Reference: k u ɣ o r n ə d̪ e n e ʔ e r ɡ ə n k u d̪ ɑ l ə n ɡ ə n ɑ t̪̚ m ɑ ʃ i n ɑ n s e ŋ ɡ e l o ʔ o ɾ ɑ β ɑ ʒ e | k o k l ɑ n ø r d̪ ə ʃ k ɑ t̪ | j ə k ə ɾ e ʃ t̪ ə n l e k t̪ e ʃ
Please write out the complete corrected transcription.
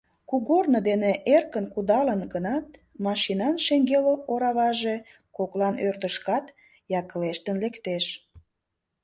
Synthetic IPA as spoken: k u ɣ o r n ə d̪ e n e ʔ e r k ə n k u d̪ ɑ l ə n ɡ ə n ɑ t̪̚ m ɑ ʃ i n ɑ n ʃ e ŋ ɡ e l o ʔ o ɾ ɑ β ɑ ʒ e | k o k l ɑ n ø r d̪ ə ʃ k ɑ t̪ | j ɑ k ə l e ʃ t̪ ə n l e k t̪ e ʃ